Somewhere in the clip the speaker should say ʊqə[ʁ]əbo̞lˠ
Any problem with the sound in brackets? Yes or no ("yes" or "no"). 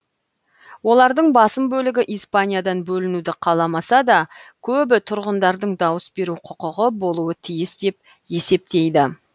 no